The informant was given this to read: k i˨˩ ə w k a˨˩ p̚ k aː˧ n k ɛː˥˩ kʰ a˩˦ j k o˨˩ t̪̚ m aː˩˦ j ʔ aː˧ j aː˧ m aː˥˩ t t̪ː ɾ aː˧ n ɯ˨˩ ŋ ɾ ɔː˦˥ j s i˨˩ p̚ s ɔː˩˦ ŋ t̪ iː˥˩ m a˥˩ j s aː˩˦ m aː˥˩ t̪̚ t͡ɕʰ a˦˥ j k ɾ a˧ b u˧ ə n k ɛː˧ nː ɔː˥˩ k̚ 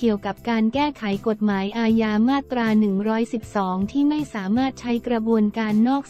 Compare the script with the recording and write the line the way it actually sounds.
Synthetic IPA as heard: k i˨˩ ə w k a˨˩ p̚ k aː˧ n k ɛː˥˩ kʰ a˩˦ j k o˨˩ t̪̚ m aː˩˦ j ʔ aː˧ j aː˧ m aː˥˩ t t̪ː ɾ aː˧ n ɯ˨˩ ŋ ɾ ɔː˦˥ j s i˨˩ p̚ s ɔː˩˦ ŋ t̪ʰ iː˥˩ m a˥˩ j s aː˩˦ m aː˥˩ t̪̚ t͡ɕʰ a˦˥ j k ɾ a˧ b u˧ ə n k aː˧ nː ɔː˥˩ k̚